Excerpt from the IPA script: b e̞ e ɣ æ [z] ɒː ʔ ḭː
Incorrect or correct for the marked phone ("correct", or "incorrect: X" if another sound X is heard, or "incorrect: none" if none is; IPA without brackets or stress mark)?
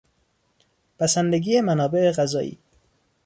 correct